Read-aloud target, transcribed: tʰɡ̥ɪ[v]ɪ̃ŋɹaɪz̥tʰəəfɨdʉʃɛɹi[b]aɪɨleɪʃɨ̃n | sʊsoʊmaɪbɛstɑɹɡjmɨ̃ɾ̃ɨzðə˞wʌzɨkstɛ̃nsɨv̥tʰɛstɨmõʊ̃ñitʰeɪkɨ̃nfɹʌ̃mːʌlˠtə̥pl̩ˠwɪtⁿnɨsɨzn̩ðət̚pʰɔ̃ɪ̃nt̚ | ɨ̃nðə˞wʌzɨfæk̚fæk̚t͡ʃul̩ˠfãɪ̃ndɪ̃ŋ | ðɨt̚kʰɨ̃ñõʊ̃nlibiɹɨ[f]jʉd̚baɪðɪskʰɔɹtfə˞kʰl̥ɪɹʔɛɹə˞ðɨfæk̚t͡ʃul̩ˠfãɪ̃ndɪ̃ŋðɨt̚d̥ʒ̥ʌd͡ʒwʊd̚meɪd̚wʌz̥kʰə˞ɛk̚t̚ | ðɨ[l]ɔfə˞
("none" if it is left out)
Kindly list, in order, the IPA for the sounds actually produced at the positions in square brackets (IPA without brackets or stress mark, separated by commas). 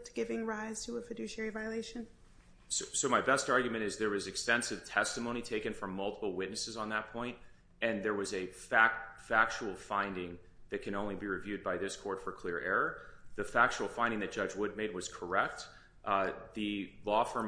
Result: v, v, v, l